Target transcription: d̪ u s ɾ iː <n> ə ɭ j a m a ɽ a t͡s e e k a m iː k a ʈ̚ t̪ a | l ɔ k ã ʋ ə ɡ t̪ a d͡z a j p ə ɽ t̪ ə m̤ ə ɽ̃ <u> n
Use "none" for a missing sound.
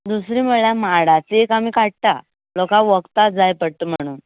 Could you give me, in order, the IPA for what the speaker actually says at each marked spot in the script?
m, uː

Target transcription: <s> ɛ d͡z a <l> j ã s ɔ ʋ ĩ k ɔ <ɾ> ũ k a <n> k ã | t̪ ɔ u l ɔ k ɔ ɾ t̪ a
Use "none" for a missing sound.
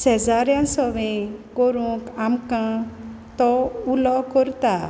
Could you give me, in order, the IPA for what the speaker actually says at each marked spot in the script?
s, ɾ, ɾ, m

